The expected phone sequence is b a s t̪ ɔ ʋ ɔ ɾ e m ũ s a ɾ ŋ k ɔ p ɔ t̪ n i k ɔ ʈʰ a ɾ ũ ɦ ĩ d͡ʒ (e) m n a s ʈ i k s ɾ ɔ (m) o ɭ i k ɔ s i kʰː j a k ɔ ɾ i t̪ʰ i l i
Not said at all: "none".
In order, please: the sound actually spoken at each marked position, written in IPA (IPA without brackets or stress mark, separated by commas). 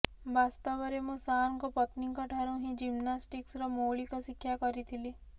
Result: i, m